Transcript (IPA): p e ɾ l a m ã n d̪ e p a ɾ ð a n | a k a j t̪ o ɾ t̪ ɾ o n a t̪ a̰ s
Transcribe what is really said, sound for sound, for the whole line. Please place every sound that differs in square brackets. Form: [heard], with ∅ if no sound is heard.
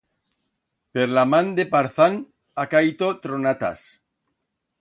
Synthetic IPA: p e ɾ l a m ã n d̪ e p a ɾ [θ] a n | a k a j t̪ o [∅] t̪ ɾ o n a t̪ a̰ s